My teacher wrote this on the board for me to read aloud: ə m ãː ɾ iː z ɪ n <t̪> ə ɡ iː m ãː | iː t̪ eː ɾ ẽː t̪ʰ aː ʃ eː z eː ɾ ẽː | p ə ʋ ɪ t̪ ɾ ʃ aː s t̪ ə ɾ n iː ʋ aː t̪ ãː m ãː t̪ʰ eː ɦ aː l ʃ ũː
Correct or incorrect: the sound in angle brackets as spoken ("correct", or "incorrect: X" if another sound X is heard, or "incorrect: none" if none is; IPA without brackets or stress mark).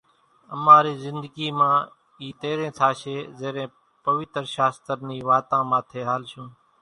incorrect: d̪